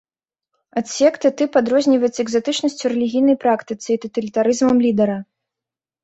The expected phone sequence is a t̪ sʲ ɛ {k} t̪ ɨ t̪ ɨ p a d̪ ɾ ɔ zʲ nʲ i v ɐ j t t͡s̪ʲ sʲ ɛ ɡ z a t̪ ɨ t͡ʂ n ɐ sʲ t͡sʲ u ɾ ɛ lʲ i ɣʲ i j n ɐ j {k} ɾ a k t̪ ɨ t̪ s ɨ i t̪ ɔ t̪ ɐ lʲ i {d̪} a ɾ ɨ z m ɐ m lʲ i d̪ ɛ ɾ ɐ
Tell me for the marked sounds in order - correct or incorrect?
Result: correct, incorrect, incorrect

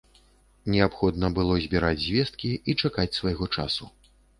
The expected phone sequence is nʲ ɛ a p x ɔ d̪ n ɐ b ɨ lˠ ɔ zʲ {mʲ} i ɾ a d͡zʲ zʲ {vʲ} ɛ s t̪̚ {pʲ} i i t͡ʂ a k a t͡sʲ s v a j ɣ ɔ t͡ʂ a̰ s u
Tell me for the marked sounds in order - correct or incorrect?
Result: incorrect, correct, incorrect

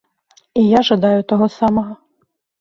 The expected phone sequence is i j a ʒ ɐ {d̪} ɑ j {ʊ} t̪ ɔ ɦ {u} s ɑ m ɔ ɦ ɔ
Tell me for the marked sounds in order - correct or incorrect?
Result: correct, correct, incorrect

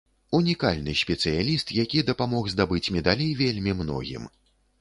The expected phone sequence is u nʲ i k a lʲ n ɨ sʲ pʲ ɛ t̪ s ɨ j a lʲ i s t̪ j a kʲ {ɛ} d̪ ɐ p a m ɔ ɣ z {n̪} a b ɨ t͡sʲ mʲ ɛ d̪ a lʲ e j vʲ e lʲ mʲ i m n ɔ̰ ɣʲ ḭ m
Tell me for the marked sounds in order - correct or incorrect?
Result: incorrect, incorrect

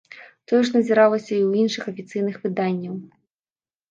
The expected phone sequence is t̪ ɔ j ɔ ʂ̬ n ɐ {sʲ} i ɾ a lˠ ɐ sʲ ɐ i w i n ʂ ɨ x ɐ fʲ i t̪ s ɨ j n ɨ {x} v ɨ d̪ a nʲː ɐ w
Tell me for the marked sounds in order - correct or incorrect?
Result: incorrect, correct

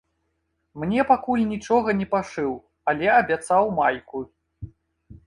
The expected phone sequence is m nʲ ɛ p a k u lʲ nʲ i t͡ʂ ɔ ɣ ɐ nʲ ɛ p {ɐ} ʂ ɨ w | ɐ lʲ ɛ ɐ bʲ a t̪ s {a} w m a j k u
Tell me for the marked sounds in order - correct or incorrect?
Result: incorrect, correct

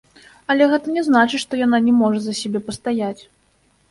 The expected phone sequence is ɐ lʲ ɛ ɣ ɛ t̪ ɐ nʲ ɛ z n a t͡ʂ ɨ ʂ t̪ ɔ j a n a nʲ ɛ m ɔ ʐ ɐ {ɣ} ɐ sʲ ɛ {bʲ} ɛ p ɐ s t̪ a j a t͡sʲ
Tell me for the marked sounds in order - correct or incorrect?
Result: incorrect, correct

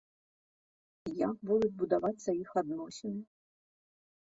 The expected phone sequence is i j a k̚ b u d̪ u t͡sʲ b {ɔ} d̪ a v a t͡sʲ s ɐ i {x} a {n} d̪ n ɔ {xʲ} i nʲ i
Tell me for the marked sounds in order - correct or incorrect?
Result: incorrect, correct, incorrect, incorrect

